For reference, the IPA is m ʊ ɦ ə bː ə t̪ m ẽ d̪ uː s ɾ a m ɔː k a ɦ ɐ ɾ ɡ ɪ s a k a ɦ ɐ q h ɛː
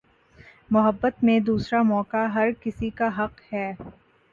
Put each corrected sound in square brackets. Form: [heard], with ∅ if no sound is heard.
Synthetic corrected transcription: m ʊ ɦ ə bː ə t̪ m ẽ d̪ uː s ɾ a m ɔː k a ɦ ɐ ɾ [k] ɪ s [i] k a ɦ ɐ q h ɛː